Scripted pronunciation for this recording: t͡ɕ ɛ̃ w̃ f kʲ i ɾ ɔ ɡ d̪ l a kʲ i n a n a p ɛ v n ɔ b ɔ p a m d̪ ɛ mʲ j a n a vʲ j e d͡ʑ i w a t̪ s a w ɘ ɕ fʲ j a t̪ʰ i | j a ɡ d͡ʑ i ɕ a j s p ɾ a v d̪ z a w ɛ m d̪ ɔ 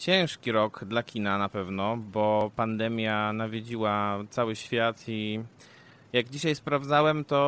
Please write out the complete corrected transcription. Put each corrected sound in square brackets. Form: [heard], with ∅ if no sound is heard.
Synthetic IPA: t͡ɕ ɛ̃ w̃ [ʂ] kʲ i ɾ ɔ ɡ d̪ l a kʲ i n a n a p ɛ v n ɔ b ɔ p a [n] d̪ ɛ mʲ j a n a vʲ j e d͡ʑ i w a t̪ s a w ɘ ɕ fʲ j a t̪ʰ i | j a ɡ d͡ʑ i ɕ a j s p ɾ a v d̪ z a w ɛ m [t̪] ɔ